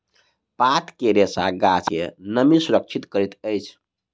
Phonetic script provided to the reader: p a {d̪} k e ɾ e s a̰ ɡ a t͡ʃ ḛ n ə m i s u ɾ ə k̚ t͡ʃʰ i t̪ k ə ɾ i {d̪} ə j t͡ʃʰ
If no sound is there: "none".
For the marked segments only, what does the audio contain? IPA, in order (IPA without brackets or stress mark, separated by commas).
t̪, t̪